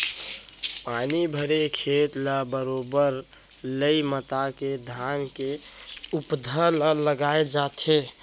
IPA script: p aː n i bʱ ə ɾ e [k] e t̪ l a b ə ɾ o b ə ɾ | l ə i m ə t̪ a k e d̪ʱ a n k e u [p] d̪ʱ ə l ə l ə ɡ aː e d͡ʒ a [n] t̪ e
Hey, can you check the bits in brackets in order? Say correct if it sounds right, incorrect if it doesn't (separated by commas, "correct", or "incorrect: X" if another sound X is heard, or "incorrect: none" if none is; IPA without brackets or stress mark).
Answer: incorrect: kʰ, correct, incorrect: none